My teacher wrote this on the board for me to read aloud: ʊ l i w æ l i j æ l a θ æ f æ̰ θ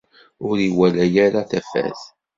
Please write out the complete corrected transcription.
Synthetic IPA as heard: ʊ ɾ i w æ l æ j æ ɾ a θ æ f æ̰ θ